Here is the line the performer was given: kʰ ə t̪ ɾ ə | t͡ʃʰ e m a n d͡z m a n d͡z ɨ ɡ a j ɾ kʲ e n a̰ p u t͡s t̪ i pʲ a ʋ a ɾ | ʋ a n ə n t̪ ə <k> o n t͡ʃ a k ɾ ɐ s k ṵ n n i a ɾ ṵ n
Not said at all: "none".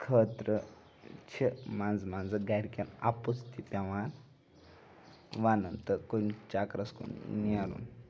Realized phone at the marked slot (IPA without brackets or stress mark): k